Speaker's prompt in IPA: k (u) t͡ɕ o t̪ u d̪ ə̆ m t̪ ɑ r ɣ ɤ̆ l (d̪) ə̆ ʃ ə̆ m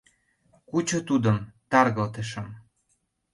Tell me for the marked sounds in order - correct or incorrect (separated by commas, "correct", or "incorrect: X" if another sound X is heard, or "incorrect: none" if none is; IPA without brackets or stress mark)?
correct, incorrect: t̪